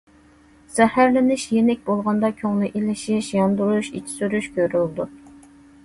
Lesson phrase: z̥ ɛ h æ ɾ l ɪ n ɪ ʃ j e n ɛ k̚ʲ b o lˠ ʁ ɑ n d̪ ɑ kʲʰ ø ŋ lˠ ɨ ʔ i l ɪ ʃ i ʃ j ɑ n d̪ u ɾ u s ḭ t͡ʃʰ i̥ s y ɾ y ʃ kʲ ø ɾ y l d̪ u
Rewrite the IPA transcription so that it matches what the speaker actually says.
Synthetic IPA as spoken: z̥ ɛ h æ ɾ l ɪ n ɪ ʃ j e n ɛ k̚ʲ b o lˠ ʁ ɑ n d̪ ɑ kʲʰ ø ŋ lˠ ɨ ʔ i l ɪ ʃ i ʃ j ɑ n d̪ u ɾ u ʃ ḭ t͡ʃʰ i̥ s y ɾ y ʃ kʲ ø ɾ y l d̪ u